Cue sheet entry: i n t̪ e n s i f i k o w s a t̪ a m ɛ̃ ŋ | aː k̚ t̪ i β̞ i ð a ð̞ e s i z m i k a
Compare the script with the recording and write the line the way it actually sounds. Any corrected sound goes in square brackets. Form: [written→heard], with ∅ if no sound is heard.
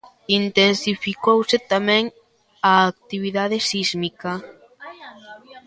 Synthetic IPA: i n t̪ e n s i f i k o w s [a→e] t̪ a m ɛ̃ ŋ | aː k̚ t̪ i β̞ i ð a ð̞ e s i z m i k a